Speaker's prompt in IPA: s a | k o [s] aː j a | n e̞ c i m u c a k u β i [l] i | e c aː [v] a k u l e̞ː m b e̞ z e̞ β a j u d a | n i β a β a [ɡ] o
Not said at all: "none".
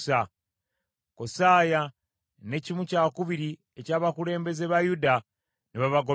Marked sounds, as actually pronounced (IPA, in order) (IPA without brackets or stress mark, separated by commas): s, ɾ, β, ɡ